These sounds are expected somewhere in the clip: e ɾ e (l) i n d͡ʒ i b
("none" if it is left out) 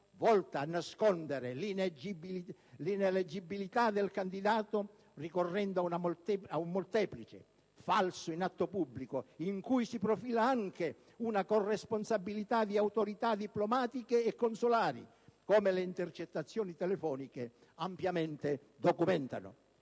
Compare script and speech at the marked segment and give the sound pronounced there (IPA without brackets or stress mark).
l